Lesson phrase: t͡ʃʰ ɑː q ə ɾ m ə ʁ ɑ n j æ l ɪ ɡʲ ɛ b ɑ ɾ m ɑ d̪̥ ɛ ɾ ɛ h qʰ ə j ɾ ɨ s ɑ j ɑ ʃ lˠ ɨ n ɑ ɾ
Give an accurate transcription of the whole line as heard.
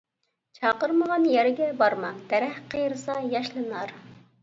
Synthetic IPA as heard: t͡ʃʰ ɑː q ə ɾ m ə ʁ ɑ n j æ ɾ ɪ ɡʲ ɛ b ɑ ɾ m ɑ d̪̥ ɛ ɾ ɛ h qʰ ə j ɾ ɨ s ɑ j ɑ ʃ lˠ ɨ n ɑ ɾ